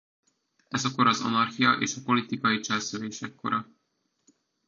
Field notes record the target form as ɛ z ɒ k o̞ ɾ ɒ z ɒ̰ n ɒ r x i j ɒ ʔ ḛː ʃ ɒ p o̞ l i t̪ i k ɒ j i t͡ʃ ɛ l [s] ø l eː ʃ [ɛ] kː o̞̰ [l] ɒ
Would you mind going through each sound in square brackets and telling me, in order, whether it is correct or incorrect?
correct, correct, incorrect

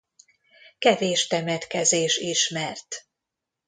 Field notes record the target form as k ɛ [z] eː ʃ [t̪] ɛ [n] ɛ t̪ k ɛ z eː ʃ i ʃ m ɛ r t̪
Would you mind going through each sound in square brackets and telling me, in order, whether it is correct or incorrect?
incorrect, correct, incorrect

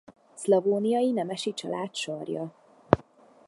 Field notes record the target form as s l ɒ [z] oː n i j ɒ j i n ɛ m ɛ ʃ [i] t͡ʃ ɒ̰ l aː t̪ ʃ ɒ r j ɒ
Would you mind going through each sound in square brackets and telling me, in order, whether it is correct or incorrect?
incorrect, correct

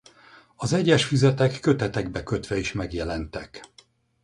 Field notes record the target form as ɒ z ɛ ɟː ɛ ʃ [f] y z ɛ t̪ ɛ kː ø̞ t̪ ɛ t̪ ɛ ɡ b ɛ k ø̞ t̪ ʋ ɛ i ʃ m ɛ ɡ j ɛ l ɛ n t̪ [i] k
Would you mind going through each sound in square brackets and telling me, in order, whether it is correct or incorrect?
correct, incorrect

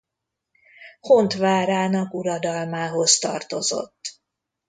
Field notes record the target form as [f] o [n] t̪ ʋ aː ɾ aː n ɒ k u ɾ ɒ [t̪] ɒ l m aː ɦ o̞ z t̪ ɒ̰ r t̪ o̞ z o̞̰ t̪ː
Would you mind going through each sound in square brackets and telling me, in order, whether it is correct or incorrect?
incorrect, correct, incorrect

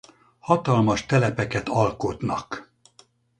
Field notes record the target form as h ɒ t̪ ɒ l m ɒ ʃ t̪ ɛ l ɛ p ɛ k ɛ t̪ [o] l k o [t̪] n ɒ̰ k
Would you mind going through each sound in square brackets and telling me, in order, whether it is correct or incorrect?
incorrect, correct

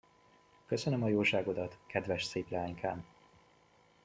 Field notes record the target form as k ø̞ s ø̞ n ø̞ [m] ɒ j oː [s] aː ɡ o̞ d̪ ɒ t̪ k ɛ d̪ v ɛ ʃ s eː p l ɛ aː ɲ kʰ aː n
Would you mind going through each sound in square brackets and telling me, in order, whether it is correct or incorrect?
correct, incorrect

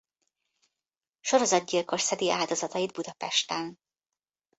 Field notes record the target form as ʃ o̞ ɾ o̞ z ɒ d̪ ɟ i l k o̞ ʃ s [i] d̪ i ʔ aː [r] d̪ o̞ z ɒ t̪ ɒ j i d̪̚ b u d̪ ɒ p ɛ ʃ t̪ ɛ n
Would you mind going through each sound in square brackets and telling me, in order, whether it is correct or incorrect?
incorrect, incorrect

